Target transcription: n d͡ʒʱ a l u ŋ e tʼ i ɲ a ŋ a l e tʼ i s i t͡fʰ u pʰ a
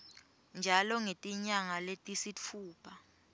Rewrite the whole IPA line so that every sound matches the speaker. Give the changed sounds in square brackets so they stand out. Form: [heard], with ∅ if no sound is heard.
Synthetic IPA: n d͡ʒʱ a l [ɔ] ŋ e tʼ i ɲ a ŋ a l e tʼ i s i t͡fʰ [uː] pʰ a